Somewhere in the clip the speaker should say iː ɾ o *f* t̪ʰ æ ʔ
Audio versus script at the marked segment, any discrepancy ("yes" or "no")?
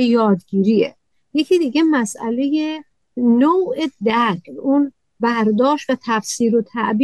yes